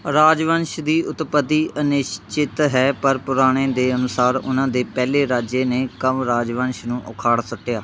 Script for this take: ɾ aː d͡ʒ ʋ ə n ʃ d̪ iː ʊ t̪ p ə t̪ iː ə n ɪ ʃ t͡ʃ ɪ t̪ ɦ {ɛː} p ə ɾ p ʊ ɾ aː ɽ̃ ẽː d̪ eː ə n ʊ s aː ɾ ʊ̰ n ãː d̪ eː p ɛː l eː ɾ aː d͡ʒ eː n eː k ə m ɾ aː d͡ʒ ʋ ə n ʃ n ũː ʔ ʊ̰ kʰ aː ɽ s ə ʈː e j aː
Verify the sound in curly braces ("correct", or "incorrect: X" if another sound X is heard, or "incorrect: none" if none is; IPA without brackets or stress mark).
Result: correct